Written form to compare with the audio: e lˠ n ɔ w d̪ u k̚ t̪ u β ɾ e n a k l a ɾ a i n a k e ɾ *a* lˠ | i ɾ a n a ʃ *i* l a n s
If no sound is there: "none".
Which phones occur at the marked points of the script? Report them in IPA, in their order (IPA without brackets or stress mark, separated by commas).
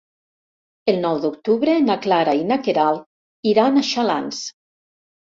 a, a